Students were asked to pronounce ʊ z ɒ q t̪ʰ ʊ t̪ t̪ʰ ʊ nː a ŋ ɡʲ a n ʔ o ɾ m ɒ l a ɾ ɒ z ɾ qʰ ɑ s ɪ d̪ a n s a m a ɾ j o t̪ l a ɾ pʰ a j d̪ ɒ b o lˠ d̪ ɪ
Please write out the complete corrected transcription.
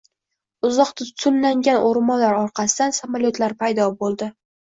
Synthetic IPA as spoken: ʊ z ɒ q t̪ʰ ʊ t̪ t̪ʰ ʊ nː a ŋ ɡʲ a n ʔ o ɾ m ɒ l a ɾ ɒ ɾ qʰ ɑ s ɪ d̪ a n s a m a l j o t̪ l a ɾ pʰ a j d̪ ɒ b o lˠ d̪ ɪ